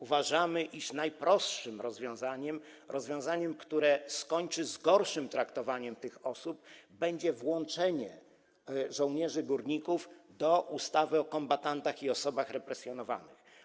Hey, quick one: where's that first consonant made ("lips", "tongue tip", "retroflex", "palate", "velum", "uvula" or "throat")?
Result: lips